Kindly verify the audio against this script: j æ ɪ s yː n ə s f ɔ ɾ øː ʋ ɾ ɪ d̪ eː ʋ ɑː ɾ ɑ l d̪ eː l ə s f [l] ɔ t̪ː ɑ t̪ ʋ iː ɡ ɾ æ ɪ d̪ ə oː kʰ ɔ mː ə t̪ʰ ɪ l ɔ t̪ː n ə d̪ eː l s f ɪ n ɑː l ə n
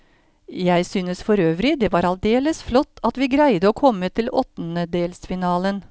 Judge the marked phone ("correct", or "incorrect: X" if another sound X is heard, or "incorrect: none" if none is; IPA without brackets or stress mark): correct